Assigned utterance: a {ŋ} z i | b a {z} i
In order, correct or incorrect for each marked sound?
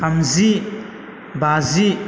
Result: incorrect: m, correct

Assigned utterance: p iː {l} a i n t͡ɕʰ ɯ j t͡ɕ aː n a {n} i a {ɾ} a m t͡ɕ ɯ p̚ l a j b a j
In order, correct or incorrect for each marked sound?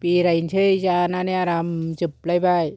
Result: incorrect: ɾ, correct, correct

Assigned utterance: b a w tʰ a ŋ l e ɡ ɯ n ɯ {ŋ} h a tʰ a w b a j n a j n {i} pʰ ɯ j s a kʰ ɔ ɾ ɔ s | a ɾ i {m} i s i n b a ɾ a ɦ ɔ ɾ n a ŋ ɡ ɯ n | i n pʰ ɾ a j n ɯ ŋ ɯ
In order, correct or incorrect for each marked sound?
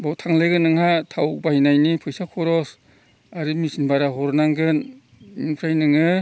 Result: correct, correct, correct

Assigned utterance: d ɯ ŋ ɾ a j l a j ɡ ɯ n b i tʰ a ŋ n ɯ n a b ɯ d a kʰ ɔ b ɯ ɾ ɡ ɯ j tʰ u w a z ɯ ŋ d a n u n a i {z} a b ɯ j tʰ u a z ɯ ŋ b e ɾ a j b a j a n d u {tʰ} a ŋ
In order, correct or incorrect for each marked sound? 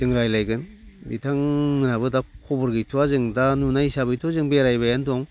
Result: incorrect: s, incorrect: none

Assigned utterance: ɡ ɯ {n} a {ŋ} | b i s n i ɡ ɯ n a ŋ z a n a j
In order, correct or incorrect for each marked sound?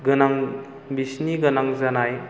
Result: correct, correct

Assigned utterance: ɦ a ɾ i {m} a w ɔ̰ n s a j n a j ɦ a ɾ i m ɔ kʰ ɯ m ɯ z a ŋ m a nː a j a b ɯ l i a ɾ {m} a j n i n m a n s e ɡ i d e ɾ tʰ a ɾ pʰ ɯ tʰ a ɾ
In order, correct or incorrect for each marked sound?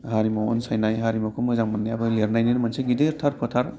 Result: correct, incorrect: n

